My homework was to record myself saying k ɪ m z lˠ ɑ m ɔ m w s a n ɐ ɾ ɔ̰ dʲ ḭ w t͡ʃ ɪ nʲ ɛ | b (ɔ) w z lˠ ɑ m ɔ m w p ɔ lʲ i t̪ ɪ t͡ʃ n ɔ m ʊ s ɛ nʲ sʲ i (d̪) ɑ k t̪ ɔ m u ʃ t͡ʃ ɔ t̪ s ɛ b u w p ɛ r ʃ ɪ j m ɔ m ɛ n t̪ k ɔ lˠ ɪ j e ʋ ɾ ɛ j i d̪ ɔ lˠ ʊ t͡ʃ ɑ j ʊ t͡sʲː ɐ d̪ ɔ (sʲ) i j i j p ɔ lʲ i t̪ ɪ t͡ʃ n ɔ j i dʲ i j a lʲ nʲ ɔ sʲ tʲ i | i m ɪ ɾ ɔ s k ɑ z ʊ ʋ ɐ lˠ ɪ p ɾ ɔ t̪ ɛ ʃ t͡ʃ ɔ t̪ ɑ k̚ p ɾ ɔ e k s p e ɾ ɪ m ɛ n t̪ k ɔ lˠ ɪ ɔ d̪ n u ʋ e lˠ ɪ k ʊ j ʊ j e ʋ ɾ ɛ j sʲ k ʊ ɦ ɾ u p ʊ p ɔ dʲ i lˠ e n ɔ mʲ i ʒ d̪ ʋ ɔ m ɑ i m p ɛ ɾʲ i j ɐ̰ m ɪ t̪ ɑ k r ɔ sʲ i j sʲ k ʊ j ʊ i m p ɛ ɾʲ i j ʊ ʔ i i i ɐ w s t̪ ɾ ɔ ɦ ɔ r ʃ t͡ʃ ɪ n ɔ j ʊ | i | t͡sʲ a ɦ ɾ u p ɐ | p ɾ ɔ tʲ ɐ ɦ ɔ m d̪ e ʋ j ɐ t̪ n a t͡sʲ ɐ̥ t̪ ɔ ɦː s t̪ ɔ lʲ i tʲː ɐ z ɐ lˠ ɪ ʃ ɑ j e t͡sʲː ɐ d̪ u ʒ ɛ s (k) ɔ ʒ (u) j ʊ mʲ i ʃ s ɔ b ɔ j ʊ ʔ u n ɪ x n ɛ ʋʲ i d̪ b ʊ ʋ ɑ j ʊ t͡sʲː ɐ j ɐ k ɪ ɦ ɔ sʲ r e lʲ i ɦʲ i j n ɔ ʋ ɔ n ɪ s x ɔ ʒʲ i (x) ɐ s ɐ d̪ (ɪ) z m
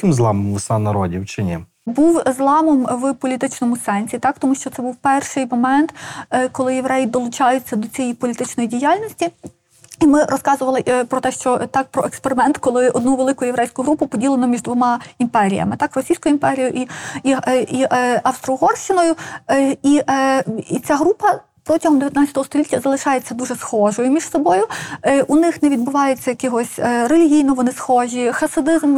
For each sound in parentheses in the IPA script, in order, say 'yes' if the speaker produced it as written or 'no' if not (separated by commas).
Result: no, no, no, no, no, yes, yes